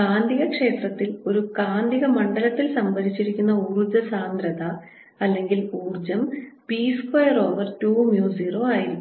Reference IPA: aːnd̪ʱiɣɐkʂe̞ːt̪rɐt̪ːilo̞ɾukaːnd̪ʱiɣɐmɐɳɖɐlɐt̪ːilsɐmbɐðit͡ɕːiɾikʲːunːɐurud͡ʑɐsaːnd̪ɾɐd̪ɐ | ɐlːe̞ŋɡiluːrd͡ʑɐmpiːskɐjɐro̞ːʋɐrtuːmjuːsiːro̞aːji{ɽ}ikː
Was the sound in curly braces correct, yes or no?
no